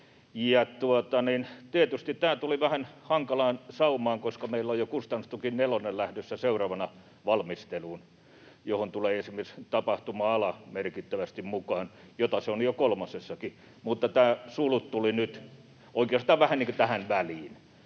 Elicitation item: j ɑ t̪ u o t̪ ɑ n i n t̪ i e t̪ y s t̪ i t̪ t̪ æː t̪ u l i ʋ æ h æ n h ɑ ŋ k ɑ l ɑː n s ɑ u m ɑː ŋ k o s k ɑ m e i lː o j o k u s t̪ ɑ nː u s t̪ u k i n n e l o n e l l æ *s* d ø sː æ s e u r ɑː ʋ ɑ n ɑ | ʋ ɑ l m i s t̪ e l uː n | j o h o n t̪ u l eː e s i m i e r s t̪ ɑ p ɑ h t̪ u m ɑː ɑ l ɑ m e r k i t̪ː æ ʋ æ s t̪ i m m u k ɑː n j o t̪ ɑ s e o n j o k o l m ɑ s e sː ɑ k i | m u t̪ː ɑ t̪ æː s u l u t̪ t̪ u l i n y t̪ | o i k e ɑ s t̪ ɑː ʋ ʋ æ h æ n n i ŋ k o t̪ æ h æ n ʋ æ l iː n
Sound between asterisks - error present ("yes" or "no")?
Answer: yes